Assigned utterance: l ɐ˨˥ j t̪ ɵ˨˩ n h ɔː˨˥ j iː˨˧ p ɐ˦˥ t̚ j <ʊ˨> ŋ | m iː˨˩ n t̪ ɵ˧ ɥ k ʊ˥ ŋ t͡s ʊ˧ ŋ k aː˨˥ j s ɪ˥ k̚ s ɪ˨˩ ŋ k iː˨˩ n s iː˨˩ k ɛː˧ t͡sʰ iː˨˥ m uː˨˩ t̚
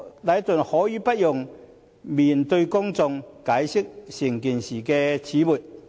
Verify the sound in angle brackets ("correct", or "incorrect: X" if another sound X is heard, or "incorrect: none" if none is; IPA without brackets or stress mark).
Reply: correct